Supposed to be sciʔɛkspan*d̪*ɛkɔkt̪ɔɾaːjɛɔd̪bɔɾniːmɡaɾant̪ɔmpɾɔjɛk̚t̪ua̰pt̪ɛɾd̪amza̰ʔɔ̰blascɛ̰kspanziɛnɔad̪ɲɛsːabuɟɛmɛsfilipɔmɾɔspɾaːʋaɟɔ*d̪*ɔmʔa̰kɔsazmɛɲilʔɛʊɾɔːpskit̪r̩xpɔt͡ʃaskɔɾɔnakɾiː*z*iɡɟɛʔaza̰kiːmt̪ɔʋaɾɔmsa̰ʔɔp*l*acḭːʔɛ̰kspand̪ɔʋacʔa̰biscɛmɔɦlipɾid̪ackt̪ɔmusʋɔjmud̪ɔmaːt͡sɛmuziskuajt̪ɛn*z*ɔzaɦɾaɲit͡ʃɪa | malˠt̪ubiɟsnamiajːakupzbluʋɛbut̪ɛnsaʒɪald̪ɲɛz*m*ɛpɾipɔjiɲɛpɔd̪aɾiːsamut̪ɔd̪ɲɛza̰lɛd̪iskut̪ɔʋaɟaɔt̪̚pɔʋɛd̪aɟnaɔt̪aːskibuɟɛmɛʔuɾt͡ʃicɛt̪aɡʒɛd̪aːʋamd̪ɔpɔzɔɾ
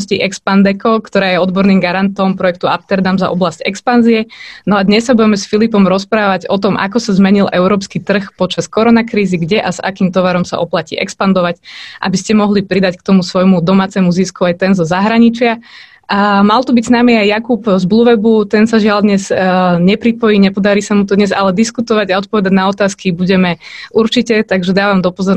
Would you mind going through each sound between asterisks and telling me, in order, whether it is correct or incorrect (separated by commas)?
correct, incorrect, correct, correct, correct, incorrect